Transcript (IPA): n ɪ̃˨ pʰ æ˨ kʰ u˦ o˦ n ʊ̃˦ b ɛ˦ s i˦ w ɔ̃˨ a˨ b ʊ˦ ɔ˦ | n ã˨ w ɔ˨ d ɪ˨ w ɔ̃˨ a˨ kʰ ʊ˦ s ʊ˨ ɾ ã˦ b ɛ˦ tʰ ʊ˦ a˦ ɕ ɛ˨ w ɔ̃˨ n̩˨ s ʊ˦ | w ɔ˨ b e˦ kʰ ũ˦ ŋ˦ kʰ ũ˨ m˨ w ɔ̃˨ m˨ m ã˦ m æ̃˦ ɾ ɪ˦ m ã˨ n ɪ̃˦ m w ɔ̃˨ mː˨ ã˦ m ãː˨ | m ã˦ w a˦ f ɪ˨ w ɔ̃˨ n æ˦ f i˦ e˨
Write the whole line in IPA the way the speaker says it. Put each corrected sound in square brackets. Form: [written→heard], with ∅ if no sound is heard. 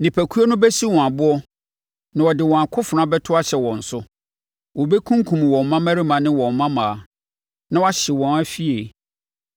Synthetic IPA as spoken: n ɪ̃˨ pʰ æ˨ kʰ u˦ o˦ n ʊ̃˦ b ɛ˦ s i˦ w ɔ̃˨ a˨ b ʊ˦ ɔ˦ | n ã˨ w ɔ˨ d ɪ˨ w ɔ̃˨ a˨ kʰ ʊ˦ [s→f] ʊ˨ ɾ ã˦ b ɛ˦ tʰ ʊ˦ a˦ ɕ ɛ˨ w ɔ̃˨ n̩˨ s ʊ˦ | w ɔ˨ b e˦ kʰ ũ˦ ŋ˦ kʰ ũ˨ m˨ w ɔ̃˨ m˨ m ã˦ m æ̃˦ ɾ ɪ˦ m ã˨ n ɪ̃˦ [m→∅] w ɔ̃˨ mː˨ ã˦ m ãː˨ | [m→n] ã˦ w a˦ [f→ɕ] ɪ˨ w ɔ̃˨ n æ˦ f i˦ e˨

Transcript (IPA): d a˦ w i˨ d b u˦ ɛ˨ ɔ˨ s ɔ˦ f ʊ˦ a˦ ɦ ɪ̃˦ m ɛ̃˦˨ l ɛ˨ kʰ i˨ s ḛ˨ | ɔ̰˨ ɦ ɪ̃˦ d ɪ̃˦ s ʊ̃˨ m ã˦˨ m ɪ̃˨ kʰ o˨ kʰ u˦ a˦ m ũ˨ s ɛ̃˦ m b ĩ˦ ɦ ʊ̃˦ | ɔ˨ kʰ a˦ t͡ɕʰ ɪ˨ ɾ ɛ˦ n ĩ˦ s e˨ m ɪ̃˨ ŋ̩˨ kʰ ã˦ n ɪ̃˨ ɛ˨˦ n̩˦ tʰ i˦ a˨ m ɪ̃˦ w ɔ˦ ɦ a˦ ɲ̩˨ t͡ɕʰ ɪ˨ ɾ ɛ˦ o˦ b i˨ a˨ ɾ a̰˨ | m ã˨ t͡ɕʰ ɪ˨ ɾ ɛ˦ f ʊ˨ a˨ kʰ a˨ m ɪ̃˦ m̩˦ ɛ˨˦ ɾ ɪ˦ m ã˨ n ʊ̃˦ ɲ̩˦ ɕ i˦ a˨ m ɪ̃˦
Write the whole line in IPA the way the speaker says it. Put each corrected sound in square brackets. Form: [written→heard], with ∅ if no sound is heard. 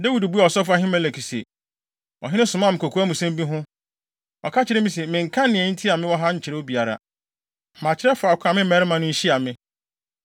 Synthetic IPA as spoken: d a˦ w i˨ d b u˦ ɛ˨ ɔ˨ s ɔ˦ f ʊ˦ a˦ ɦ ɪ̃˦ m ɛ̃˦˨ l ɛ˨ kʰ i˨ s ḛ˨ | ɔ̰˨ ɦ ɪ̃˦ [d→n] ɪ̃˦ s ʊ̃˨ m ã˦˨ m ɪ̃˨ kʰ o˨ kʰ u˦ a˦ m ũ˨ s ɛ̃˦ m b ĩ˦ ɦ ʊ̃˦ | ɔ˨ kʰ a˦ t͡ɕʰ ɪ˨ ɾ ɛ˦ [n→m] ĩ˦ s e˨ m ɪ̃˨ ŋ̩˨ kʰ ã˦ n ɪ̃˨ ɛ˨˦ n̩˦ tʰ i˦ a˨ m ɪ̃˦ w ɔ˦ ɦ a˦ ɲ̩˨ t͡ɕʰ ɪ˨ ɾ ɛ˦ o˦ b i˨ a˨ ɾ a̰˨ | m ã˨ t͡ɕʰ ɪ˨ ɾ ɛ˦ f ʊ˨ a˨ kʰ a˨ m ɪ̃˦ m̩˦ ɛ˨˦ ɾ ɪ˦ m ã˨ n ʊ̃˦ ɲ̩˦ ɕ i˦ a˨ m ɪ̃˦

